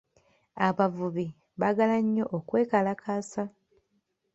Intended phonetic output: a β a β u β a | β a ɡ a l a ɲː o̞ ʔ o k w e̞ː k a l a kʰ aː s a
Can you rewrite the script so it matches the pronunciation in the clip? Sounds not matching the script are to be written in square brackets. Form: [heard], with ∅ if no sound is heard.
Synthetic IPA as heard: a β a [v] u β [i] | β a ɡ a l a ɲː o̞ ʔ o k w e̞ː k a l a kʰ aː s a